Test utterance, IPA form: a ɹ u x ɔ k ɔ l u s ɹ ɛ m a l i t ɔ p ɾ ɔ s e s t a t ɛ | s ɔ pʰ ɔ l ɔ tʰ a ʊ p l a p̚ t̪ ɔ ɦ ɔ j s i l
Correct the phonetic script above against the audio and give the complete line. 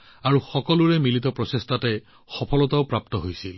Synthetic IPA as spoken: a ɹ u x ɔ k ɔ l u ɹ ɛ m i l i t ɔ p ɹ ɔ s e s t a t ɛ | x ɔ pʰ ɔ l ɔ t a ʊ p ɹ a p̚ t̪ ɔ ɦ o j s i l